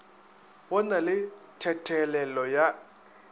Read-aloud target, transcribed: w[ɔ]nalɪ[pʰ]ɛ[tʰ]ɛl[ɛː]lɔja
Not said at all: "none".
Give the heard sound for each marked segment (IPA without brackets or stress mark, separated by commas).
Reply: ɔ, tʰ, tʰ, ɛ